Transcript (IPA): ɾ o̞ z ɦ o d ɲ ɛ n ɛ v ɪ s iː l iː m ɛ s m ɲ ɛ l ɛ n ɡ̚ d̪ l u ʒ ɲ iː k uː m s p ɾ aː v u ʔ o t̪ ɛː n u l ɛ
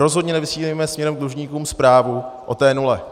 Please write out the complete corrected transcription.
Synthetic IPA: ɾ o̞ z ɦ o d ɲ ɛ n ɛ v ɪ s iː l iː m ɛ s m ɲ ɛ ɾ ɛ m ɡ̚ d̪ l u ʒ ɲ iː k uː m s p ɾ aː v u ʔ o t̪ ɛː n u l ɛ